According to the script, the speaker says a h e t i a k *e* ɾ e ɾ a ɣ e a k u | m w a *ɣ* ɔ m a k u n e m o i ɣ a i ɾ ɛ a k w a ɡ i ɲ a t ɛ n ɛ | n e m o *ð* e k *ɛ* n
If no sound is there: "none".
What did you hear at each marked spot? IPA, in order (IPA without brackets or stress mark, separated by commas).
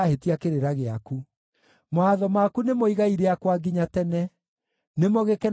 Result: e, ð, ɣ, ɛ